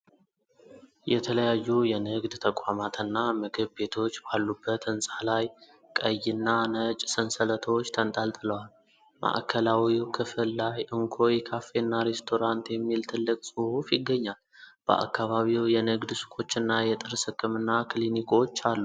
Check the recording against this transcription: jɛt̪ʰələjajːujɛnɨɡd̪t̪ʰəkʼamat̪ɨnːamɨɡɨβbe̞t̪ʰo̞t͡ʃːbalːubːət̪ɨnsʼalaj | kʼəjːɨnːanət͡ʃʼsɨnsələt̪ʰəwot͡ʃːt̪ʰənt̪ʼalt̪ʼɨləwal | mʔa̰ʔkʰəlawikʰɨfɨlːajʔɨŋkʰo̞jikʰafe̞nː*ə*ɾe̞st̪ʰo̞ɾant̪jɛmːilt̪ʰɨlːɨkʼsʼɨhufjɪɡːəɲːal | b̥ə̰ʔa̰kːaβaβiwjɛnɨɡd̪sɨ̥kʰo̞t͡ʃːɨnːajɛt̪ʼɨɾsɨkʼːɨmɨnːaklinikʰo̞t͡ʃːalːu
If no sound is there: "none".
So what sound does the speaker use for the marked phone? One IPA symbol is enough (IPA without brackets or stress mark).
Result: a